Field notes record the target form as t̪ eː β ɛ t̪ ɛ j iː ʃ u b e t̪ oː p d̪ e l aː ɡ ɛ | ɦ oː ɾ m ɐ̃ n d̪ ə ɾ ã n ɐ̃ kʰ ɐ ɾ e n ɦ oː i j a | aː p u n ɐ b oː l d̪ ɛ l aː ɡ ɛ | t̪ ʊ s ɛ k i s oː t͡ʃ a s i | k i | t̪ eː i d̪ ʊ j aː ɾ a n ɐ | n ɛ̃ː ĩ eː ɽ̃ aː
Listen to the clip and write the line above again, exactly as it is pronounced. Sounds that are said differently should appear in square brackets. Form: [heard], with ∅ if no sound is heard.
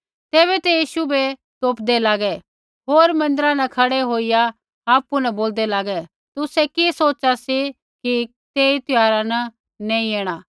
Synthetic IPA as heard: t̪ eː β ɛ t̪ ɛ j iː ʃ u b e t̪ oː p d̪ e l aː ɡ ɛ | ɦ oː ɾ m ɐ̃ n d̪ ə ɾ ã n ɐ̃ kʰ ɐ [ɽ] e [∅] ɦ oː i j a | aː p u n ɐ b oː l d̪ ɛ l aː ɡ ɛ | t̪ ʊ s ɛ k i s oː t͡ʃ a s i | k i | t̪ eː i [t̪] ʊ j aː ɾ a n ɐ | n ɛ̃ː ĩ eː ɽ̃ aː